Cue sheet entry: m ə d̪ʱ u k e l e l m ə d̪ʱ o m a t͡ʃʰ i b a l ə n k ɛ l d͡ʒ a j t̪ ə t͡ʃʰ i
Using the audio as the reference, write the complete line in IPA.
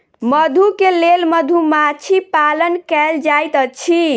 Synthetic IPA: m ə d̪ʱ u k e l e l m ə d̪ʱ u m a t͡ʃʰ i p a l ə n k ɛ l d͡ʒ a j t̪ ə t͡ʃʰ i